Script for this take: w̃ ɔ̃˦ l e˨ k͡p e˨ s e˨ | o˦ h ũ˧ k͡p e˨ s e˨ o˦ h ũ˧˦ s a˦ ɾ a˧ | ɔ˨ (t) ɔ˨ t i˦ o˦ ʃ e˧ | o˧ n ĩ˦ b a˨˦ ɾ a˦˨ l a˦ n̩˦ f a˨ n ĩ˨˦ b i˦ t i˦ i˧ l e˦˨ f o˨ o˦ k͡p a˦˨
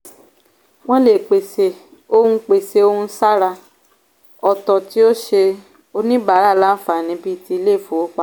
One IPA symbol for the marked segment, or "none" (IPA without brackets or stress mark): t